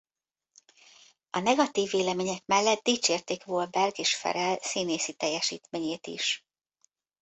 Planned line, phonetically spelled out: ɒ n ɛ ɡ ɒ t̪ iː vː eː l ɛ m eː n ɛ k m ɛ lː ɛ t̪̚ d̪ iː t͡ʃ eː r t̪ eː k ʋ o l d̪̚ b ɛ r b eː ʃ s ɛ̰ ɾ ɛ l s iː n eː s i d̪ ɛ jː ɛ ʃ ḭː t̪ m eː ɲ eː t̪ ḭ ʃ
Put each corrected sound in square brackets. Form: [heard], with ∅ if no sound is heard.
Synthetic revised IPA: ɒ n ɛ ɡ ɒ t̪ iː vː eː l ɛ m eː [ɲ] ɛ k m ɛ lː ɛ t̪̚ d̪ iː t͡ʃ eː r t̪ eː k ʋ o l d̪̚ b ɛ r [ɡ] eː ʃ [f] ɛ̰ ɾ ɛ l s iː n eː s i [t̪] ɛ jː ɛ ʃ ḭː t̪ m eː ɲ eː t̪ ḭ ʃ

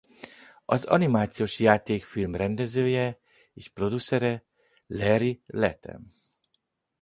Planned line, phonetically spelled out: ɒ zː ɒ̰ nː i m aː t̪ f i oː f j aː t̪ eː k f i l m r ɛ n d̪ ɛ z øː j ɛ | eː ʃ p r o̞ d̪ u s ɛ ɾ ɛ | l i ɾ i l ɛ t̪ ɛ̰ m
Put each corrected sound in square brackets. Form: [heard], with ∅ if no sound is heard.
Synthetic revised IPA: ɒ [z] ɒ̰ [n] i m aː t̪ [s] i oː [ʃ] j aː t̪ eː k f i l m r ɛ n d̪ ɛ z øː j ɛ | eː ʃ p r o̞ d̪ u s ɛ ɾ ɛ | l [ɛ] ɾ i l ɛ t̪ ɛ̰ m

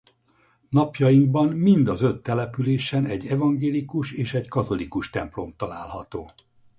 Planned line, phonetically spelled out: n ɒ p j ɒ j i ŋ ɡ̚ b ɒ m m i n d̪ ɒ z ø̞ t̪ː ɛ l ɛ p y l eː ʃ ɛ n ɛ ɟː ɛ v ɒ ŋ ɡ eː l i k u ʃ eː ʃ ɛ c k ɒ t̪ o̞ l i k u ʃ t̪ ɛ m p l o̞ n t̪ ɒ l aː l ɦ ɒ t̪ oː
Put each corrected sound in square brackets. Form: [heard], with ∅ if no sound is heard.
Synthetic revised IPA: n ɒ p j ɒ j i ŋ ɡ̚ b ɒ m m i n d̪ ɒ z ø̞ t̪ː ɛ l ɛ p y l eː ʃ ɛ n ɛ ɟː ɛ v ɒ ŋ ɡ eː l i k u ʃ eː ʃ ɛ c k ɒ t̪ o̞ l i k u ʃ t̪ ɛ m p l o̞ [m] t̪ ɒ l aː l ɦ ɒ t̪ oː

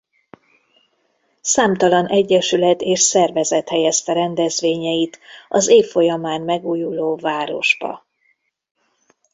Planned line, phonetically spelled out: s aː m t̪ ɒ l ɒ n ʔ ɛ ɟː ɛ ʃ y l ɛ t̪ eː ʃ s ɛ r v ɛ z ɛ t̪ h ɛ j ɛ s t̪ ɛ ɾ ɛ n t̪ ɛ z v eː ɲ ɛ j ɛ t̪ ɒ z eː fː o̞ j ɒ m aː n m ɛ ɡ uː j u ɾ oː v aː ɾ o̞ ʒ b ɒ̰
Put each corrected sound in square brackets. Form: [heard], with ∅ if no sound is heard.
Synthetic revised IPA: s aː m t̪ ɒ l ɒ n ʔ ɛ ɟː ɛ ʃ y l ɛ t̪ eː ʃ s ɛ r v ɛ z ɛ t̪ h ɛ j ɛ s t̪ ɛ ɾ ɛ n [d̪] ɛ z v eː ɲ ɛ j [i] t̪ ɒ z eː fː o̞ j ɒ m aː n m ɛ ɡ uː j u [l] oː v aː ɾ o̞ ʒ b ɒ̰

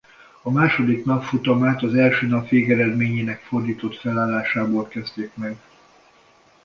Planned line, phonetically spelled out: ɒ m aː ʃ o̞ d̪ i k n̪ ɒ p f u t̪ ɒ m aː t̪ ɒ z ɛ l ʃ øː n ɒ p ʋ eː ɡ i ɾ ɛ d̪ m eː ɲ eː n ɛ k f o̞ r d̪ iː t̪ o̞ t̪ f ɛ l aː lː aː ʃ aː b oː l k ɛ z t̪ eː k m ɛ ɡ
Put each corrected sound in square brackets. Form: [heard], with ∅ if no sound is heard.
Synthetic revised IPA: ɒ m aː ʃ o̞ d̪ i k n̪ ɒ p f u t̪ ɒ m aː t̪ ɒ z ɛ l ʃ øː n ɒ p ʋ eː ɡ [ɛ] ɾ ɛ d̪ m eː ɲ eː n ɛ k f o̞ r d̪ iː t̪ o̞ t̪ f ɛ l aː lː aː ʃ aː b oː l k ɛ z t̪ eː k m ɛ ɡ

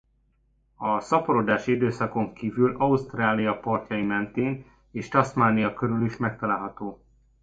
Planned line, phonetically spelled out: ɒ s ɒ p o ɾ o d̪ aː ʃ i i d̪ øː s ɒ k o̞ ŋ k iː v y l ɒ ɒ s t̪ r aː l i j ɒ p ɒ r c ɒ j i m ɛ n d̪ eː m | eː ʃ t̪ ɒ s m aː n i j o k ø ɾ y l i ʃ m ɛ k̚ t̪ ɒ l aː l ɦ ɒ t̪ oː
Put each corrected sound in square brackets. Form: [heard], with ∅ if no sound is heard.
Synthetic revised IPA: ɒ s ɒ p o ɾ o d̪ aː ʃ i i d̪ øː s ɒ k o̞ ŋ k iː v y l ɒ [u] s t̪ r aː l i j ɒ p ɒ r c ɒ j i m ɛ n [t̪] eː [n] | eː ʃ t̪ ɒ s m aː n i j [ɒ] k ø ɾ y l i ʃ m ɛ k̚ t̪ ɒ l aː l ɦ ɒ t̪ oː

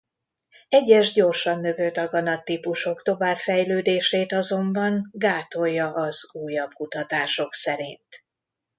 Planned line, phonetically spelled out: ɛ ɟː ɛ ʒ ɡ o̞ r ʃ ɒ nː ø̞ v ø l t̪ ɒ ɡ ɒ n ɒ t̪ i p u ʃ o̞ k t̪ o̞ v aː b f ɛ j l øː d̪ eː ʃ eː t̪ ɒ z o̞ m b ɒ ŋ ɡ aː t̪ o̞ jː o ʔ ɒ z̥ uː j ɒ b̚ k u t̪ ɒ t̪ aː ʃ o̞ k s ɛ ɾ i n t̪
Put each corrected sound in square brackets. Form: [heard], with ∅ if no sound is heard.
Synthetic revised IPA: ɛ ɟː ɛ ʒ [ɟ] o̞ r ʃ ɒ nː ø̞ v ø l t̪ ɒ ɡ ɒ n ɒ t̪ i p u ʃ o̞ k t̪ o̞ v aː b f ɛ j l øː d̪ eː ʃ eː t̪ ɒ z o̞ m b ɒ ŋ ɡ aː t̪ o̞ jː [ɒ] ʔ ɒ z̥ uː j ɒ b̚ k u t̪ ɒ t̪ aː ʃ o̞ k s ɛ ɾ i n t̪

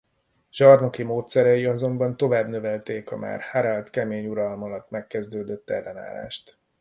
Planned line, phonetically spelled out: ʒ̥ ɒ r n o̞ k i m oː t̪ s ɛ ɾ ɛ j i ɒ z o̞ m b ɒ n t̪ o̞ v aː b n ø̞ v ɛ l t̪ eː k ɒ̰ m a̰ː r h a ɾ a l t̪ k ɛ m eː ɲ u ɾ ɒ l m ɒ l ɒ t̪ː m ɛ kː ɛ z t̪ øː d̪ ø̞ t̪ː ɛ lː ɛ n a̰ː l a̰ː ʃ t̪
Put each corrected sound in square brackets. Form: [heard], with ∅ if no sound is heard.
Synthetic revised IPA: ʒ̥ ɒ r n o̞ k i m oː t̪ s ɛ ɾ ɛ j i ɒ z o̞ m b ɒ n t̪ o̞ v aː b n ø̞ v ɛ l t̪ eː k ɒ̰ m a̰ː r h a ɾ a l t̪ k ɛ m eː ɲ u ɾ ɒ l m ɒ l ɒ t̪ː m ɛ kː ɛ z [d̪] øː d̪ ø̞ t̪ː ɛ lː ɛ n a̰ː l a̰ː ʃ t̪

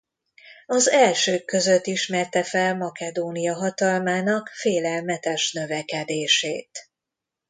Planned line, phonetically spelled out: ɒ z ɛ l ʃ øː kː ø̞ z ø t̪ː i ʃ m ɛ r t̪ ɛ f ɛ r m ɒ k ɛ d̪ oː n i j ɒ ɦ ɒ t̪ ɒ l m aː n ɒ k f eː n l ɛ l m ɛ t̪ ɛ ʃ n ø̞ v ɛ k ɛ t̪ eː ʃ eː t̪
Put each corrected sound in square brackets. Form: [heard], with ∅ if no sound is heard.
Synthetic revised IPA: ɒ z ɛ l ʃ øː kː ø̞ z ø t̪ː i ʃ m ɛ r t̪ ɛ f ɛ [l] m ɒ k ɛ d̪ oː n i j ɒ ɦ ɒ t̪ ɒ l m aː n ɒ k f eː [∅] l ɛ l m ɛ t̪ ɛ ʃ n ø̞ v ɛ k ɛ [d̪] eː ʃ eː t̪

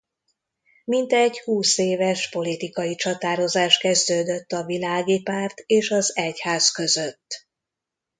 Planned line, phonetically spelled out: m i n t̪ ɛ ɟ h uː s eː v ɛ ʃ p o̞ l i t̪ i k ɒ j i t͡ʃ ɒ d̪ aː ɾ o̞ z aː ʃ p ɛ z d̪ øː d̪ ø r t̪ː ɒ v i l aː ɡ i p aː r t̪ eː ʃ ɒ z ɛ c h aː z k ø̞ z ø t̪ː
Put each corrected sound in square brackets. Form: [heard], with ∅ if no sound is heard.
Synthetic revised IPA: m i n t̪ ɛ ɟ h uː s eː v ɛ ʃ p o̞ l i t̪ i k ɒ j i t͡ʃ ɒ [t̪] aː ɾ o̞ z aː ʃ [k] ɛ z d̪ øː d̪ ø [∅] t̪ː ɒ v i l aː ɡ i p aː r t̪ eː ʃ ɒ z ɛ c h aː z k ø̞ z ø t̪ː

